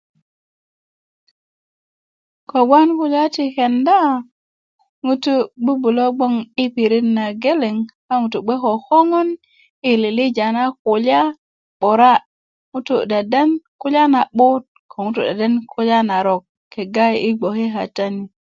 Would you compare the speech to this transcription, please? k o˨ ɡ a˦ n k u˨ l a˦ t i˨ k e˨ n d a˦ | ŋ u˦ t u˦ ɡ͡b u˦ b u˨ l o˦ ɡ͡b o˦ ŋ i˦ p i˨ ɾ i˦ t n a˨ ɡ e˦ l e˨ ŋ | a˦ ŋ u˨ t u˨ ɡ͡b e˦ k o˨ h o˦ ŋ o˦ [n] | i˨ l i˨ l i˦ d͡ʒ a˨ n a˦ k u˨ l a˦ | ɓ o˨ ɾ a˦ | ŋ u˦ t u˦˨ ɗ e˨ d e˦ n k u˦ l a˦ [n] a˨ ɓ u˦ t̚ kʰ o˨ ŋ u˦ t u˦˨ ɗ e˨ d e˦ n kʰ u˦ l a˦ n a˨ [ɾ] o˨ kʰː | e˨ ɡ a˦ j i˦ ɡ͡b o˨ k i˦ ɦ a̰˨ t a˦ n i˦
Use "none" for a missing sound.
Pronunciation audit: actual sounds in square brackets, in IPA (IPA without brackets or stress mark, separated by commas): n, n, ɾ